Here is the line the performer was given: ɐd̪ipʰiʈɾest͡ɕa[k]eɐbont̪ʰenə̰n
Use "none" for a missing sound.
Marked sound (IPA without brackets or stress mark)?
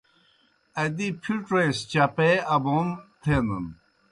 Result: p